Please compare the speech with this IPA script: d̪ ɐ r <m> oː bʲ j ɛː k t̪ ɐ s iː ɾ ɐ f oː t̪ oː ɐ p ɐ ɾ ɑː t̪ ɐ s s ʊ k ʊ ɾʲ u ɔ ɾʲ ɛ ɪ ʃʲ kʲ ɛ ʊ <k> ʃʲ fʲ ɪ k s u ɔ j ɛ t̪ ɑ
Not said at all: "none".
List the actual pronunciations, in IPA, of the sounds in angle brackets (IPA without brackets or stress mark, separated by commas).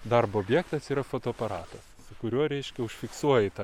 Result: b, none